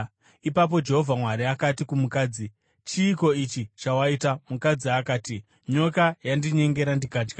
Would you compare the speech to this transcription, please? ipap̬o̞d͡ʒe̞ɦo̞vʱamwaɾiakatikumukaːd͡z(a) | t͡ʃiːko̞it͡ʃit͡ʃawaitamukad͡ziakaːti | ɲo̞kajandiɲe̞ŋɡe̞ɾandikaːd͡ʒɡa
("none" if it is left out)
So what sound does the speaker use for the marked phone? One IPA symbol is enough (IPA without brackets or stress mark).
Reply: i